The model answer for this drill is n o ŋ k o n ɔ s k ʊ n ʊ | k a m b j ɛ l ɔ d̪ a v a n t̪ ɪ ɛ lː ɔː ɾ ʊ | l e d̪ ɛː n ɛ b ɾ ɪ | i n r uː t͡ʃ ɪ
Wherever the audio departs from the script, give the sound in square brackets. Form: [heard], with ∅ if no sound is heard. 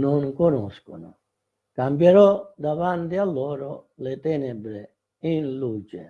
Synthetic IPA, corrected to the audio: n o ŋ k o n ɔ s k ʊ n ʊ | k a m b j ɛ [ɾ] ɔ d̪ a v a n t̪ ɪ [a] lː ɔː ɾ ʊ | l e [t̪] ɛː n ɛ b ɾ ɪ | i n [l] uː t͡ʃ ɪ